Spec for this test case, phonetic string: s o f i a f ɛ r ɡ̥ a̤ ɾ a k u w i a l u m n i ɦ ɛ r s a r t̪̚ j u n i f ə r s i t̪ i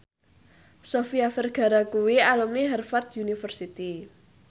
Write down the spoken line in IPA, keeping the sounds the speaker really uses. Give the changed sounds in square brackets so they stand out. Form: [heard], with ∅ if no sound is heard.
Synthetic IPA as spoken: s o f i a f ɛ r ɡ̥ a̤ ɾ a k u w i a l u m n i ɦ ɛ r [f] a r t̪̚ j u n i f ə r s i t̪ i